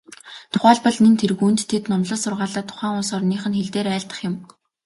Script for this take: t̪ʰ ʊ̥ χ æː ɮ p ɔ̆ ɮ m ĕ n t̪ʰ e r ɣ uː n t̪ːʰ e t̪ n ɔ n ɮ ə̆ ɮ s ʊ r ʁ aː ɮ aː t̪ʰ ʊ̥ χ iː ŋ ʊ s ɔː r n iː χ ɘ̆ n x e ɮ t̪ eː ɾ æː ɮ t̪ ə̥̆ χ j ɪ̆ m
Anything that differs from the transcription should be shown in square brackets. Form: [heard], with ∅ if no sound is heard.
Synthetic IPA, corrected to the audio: t̪ʰ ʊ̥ χ æː ɮ p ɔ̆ ɮ [n] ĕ n t̪ʰ e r ɣ uː n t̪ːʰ e t̪ n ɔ [m] ɮ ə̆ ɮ s ʊ r ʁ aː ɮ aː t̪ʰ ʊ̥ χ [æː] ŋ ʊ s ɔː r n iː χ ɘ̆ n x e ɮ t̪ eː ɾ æː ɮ t̪ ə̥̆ χ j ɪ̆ m

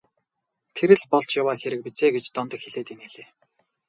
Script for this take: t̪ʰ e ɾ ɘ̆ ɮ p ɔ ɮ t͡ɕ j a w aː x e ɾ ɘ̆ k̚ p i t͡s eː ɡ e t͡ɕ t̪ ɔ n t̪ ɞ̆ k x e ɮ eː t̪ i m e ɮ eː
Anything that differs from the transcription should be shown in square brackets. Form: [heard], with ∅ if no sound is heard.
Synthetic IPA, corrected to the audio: t̪ʰ e ɾ ɘ̆ ɮ p ɔ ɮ t͡ɕ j a w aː x e ɾ ɘ̆ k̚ p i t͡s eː ɡ e t͡ɕ t̪ ɔ n t̪ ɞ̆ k x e ɮ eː t̪ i [n] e ɮ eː

